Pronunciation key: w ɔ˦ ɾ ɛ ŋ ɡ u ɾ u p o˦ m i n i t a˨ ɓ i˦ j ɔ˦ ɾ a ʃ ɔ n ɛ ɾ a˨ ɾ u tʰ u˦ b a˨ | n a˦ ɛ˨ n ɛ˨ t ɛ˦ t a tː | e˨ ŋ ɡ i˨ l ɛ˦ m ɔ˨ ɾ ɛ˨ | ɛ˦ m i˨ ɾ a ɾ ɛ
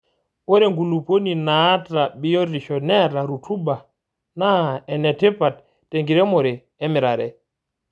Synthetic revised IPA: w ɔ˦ ɾ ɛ ŋ ɡ u l u p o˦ n i n a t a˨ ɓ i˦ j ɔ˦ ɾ i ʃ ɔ n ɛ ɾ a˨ ɾ u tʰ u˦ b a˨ | n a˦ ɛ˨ n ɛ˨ t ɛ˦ p a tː | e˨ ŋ ɡ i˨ ɾ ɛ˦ m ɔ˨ ɾ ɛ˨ | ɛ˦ m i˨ ɾ a ɾ ɛ